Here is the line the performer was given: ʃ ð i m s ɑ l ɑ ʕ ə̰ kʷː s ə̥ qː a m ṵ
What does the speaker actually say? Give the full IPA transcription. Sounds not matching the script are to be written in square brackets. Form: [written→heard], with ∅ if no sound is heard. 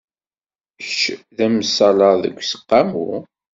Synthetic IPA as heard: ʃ ð [i→æ] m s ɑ l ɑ [ʕ→ð] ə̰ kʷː s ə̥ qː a m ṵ